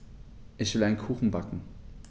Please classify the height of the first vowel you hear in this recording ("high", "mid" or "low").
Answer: high